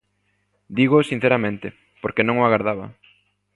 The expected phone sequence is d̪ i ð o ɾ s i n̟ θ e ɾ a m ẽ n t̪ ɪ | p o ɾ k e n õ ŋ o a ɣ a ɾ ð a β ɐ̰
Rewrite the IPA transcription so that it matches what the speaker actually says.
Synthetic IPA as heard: d̪ i ɣ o s i n̟ θ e ɾ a m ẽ n t̪ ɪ | p o ɾ k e n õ ŋ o a ɣ a ɾ ð a β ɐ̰